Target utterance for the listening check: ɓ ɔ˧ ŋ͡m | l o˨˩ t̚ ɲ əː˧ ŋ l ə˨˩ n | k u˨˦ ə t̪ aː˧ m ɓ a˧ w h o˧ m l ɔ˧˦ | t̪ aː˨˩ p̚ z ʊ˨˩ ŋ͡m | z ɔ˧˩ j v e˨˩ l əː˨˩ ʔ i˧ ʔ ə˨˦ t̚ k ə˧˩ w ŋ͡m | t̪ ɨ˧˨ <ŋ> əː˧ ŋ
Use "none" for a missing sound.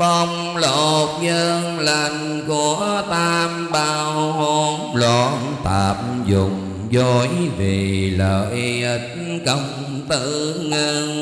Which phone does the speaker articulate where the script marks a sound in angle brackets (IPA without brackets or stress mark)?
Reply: ŋ